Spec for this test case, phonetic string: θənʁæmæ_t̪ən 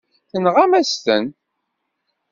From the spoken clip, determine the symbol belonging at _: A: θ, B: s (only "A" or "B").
B